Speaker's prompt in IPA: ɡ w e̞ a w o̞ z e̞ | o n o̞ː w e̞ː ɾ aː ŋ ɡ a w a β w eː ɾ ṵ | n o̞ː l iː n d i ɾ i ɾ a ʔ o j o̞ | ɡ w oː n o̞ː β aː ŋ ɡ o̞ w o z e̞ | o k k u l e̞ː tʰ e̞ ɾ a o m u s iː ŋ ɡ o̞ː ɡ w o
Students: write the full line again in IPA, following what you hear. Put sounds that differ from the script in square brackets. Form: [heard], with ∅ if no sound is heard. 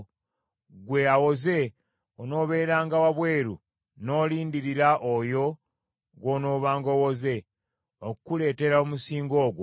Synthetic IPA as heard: ɡ w e̞ a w o̞ z e̞ | o n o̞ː [β] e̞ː ɾ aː ŋ ɡ a w a β w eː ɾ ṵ | n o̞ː l iː n d i ɾ i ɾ a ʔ o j o̞ | ɡ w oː n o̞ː β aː ŋ ɡ o̞ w o z e̞ | o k k u l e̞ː [t] e̞ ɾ a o m u s iː ŋ ɡ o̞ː ɡ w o